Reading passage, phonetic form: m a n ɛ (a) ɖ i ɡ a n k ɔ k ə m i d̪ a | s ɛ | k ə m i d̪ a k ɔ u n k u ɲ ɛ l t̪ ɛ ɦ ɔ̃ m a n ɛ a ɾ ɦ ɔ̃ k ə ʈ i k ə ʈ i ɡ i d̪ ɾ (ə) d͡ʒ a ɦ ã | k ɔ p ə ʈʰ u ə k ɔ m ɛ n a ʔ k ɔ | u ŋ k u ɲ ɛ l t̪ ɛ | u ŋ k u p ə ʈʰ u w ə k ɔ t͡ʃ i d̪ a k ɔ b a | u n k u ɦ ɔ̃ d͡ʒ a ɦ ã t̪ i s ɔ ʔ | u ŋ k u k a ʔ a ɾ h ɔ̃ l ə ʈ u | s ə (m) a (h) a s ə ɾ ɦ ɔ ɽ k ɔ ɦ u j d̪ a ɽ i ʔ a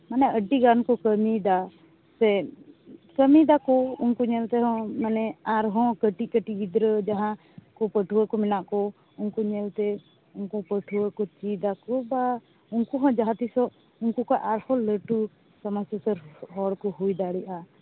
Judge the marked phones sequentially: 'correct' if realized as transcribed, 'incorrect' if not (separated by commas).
incorrect, correct, correct, incorrect